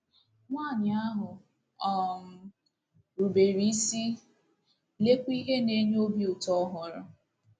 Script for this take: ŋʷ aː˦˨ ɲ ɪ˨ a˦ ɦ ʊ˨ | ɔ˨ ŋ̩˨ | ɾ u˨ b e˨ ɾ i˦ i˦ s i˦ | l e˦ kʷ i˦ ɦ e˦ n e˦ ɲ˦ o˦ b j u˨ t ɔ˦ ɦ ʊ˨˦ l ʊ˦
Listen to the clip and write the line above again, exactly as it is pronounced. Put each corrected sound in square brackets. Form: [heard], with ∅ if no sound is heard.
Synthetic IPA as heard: ŋʷ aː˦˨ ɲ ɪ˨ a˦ ɦ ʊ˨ | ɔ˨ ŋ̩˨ | ɾ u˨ b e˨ ɾ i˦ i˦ s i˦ | l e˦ kʷ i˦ ɦ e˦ n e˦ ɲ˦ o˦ b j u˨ t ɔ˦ ɦ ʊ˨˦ [ɾ] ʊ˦